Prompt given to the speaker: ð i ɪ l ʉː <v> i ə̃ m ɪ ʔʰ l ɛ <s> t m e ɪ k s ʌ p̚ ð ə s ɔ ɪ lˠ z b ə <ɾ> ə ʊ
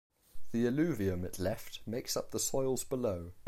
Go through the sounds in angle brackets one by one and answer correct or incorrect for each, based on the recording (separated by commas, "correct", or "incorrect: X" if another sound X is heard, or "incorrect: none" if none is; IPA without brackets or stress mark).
correct, incorrect: f, incorrect: l